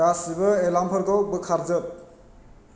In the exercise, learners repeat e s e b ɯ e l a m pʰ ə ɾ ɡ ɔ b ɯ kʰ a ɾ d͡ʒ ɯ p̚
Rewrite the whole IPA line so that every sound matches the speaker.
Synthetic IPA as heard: a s i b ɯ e l a m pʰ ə ɾ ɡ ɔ b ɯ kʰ a ɾ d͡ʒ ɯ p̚